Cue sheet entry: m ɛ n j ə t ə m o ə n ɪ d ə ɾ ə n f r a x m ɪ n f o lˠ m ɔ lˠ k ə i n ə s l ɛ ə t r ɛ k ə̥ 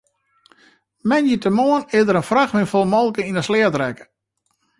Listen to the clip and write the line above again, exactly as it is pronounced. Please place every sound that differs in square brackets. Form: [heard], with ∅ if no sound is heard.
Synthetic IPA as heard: m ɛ n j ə t ə m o ə n ɪ d ə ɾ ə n f r a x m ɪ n f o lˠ m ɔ lˠ k ə i n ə s l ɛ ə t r ɛ k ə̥